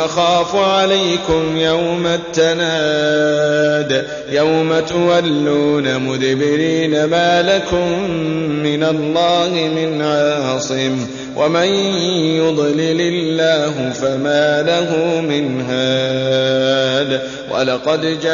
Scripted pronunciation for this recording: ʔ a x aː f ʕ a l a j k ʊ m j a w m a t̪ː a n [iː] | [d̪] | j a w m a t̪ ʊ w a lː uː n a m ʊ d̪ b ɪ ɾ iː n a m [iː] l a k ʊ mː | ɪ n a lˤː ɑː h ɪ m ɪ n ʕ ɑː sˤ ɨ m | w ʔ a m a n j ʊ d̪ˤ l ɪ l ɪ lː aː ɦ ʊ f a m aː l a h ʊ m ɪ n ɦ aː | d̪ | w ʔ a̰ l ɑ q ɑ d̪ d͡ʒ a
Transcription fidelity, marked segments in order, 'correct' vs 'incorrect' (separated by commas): incorrect, correct, incorrect